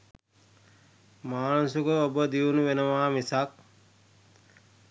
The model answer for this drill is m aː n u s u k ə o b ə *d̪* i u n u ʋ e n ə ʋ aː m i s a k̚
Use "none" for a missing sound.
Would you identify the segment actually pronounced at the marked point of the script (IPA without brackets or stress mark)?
d̪